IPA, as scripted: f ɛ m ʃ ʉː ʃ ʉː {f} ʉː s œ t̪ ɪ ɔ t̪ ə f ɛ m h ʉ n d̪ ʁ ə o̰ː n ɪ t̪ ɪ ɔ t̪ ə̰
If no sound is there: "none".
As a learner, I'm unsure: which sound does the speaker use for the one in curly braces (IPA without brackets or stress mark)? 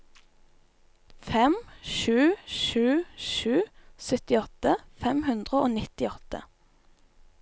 ʃ